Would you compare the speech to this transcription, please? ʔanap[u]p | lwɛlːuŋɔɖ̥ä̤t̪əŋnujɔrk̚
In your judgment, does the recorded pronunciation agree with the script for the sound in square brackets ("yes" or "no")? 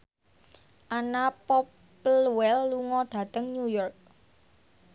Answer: no